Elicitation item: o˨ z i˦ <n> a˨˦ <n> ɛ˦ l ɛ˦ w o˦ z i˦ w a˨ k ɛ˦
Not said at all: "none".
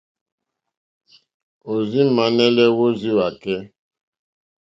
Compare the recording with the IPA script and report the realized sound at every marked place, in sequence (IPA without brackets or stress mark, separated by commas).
m, n